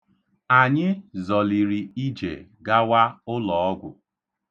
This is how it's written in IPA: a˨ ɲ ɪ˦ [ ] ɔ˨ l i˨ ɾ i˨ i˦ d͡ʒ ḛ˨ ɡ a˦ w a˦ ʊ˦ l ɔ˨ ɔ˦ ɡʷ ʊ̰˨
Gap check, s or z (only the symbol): z